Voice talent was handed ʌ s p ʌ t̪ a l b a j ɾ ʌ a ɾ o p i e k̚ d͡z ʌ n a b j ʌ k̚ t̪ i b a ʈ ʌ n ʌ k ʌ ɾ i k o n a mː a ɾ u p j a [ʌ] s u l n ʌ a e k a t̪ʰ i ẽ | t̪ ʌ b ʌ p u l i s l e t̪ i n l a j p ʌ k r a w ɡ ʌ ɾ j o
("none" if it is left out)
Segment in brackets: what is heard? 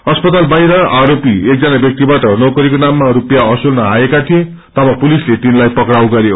ʌ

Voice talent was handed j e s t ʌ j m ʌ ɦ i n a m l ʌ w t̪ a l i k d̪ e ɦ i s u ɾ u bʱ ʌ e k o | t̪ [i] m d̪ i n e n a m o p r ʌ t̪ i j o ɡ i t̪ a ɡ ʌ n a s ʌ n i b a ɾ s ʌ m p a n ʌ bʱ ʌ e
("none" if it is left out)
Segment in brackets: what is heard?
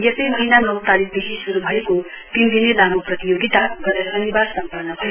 i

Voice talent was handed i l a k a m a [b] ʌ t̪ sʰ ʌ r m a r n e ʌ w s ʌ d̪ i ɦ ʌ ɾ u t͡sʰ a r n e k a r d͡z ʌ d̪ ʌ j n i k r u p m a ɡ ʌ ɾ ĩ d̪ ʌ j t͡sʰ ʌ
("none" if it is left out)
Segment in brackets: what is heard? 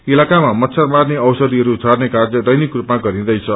m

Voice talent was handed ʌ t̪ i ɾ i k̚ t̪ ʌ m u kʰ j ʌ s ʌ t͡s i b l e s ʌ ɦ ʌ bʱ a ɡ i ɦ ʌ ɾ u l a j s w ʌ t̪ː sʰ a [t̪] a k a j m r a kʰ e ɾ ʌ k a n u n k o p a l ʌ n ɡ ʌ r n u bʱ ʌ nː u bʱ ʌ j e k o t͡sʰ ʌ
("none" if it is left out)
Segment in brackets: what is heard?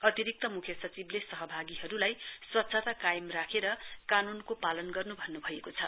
t̪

